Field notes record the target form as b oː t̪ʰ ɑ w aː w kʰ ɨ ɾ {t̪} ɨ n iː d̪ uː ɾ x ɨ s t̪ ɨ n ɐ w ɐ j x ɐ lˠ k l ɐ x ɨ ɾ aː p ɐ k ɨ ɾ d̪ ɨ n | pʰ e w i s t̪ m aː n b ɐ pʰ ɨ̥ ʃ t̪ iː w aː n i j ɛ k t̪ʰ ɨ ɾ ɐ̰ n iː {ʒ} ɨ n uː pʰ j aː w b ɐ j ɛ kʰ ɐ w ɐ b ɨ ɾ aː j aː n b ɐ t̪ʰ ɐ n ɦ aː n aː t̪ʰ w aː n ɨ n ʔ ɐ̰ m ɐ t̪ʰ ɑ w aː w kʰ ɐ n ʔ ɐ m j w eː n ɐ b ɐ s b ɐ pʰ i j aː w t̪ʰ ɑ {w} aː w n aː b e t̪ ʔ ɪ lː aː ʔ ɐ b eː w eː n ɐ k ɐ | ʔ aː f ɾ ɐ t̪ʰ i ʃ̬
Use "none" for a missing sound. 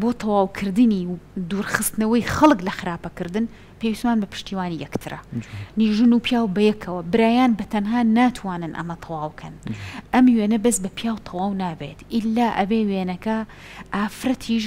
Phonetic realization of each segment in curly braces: d̪, ʒ, w

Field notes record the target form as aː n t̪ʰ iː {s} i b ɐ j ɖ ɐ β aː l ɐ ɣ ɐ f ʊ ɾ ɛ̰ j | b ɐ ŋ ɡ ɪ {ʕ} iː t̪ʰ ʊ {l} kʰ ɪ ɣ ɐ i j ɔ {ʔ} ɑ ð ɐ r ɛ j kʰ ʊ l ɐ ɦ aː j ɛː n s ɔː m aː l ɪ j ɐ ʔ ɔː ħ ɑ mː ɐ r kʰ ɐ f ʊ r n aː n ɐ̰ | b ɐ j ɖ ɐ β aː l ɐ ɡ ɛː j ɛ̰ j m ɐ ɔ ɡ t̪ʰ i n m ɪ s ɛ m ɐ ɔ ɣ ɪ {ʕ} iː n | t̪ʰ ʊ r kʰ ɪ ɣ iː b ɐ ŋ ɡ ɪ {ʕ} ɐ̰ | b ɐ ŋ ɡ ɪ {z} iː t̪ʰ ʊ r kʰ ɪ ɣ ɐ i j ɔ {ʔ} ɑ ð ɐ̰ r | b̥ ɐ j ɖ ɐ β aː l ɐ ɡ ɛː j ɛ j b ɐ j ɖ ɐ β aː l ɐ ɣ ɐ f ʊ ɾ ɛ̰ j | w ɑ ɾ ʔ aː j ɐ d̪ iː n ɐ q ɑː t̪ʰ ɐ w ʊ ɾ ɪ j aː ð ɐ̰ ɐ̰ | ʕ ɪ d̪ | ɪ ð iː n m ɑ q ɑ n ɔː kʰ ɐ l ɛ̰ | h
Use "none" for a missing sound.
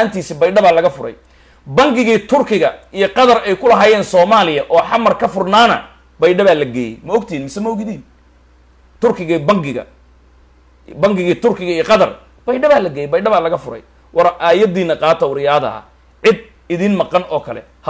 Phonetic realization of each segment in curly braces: s, ɣ, r, q, ð, ɣ, ɣ, q

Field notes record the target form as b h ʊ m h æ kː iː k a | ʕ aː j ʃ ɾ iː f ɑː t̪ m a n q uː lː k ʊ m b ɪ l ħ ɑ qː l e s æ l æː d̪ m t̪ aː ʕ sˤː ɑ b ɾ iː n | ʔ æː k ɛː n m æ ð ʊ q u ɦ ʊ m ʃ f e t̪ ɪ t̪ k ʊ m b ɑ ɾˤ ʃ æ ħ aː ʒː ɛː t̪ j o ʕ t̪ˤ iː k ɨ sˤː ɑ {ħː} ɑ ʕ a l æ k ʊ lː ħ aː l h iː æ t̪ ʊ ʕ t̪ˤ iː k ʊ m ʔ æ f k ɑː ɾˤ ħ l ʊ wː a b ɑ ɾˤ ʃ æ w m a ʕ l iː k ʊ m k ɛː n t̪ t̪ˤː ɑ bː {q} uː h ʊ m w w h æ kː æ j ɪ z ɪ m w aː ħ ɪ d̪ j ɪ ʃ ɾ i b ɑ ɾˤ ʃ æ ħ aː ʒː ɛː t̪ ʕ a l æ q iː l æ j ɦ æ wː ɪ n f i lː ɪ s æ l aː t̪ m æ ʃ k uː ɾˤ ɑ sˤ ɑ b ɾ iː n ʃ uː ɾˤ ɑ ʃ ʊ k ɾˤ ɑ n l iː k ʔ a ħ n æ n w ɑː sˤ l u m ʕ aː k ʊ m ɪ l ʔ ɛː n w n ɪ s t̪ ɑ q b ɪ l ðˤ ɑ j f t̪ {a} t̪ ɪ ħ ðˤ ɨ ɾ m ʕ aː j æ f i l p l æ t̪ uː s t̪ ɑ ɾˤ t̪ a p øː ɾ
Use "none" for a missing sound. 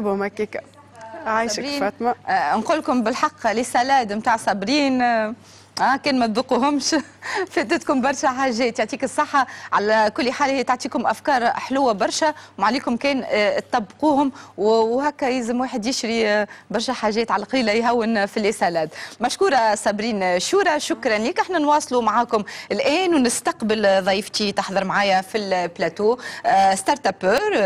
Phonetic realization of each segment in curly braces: ħː, q, i

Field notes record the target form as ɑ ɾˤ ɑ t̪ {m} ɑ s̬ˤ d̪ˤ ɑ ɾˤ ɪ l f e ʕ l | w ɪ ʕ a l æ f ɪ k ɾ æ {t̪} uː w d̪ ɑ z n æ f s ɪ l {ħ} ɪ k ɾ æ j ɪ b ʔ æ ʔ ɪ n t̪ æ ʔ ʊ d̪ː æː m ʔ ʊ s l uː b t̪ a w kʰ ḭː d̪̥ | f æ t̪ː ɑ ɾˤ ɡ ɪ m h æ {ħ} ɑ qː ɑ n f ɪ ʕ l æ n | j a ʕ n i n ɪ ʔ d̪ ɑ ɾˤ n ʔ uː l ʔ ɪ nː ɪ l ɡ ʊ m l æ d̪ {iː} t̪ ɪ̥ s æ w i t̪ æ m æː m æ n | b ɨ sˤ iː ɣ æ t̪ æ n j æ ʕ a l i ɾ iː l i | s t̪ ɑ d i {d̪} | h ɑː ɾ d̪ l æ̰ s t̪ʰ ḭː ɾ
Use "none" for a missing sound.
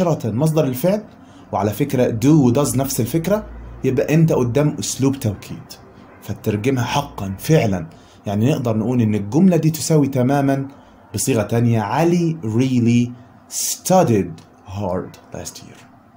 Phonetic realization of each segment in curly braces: m, d̪, f, ħ, iː, d̪

